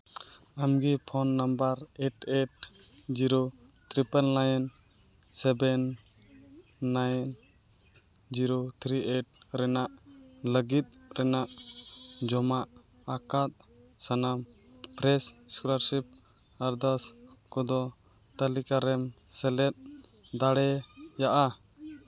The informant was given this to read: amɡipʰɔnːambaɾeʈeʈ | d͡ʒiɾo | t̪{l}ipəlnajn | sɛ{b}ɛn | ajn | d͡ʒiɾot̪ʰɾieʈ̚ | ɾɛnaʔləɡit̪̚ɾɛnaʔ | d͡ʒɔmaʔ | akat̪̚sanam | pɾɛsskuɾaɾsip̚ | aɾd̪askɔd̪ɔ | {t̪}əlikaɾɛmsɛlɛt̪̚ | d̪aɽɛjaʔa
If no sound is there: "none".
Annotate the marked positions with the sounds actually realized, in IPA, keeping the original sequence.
ɾ, b, t̪

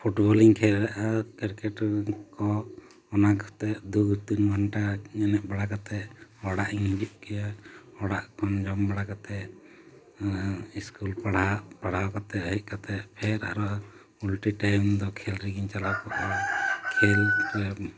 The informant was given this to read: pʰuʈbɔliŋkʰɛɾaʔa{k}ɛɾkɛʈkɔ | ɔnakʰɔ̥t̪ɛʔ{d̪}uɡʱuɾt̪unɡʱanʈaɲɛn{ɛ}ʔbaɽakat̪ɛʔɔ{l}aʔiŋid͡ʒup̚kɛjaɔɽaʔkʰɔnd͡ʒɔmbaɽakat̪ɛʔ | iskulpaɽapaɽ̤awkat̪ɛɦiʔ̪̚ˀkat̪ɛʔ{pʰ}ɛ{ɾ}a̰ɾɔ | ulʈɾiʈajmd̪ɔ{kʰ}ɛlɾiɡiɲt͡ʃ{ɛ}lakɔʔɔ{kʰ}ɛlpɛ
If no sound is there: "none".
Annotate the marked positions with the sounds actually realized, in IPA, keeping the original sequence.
k, d̪, ɛ, ɽ, pʰ, ɾ, kʰ, a, kʰ

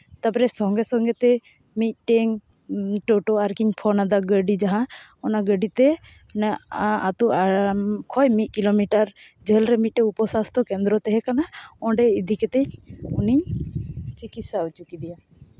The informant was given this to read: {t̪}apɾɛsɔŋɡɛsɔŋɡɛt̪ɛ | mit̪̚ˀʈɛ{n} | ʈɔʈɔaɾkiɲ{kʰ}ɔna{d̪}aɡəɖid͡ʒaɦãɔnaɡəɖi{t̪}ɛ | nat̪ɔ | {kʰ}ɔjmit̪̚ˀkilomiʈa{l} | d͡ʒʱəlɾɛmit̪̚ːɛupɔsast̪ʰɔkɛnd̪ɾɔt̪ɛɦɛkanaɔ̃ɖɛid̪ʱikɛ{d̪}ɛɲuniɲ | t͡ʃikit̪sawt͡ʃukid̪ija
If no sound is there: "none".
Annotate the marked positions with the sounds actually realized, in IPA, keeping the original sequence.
t̪, ŋ, pʰ, d̪, t̪, kʰ, ɾ, t̪

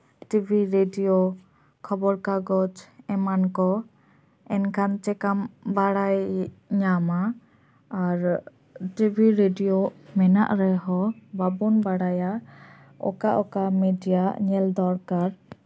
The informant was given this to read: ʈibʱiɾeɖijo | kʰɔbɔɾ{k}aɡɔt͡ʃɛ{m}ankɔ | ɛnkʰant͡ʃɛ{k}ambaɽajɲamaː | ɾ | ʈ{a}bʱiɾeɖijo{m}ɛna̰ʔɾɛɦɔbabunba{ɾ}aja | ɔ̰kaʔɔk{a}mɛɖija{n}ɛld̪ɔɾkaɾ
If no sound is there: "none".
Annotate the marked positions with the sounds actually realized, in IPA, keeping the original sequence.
k, m, k, i, m, ɽ, a, ɲ

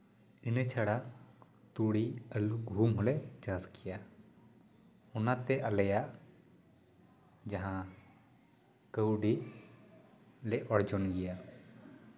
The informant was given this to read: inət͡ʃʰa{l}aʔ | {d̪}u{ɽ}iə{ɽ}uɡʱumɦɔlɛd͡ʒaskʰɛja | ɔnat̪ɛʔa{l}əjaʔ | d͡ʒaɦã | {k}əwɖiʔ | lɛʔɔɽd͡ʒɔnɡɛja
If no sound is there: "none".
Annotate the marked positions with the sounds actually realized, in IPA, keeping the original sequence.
ɽ, t̪, ɽ, l, l, k

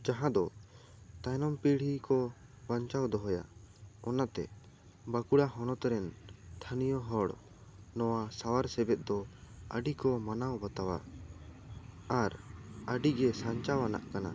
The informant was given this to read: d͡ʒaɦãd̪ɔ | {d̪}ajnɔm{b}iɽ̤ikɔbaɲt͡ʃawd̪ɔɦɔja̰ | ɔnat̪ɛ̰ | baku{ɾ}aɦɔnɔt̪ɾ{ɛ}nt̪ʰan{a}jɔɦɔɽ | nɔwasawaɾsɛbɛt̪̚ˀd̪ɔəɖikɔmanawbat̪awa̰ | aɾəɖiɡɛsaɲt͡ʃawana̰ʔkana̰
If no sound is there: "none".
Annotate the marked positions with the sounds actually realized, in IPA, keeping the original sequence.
t̪, p, ɽ, ɛ, i

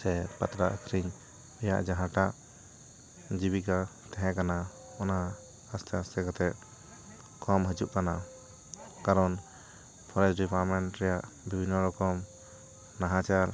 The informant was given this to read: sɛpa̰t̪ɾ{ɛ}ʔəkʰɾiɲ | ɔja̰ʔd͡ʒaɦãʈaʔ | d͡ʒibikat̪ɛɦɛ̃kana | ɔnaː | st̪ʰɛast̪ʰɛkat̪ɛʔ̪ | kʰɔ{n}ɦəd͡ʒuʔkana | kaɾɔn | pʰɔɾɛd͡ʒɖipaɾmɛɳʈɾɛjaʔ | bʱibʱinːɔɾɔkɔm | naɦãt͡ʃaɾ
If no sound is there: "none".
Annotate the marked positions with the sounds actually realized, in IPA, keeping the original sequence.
a, m

